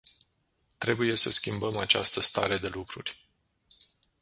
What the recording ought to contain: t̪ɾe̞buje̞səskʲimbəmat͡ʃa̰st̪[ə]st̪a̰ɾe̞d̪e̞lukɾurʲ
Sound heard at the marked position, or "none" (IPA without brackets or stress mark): ə